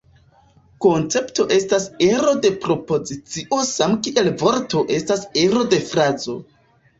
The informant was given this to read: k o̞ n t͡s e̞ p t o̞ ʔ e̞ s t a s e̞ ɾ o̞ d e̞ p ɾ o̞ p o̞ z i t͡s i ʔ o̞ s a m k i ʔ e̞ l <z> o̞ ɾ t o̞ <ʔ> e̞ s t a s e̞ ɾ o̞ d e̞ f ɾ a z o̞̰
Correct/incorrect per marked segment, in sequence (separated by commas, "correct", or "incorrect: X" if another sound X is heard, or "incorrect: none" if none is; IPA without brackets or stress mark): incorrect: v, correct